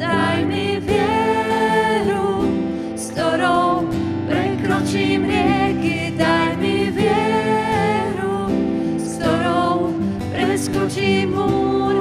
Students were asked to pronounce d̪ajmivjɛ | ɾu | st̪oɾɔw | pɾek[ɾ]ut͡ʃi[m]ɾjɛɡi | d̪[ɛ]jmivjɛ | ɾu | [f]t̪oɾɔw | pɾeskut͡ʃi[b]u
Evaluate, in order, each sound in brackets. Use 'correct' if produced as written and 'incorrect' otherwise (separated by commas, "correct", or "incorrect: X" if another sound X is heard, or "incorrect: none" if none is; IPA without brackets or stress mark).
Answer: correct, correct, incorrect: a, incorrect: s, incorrect: m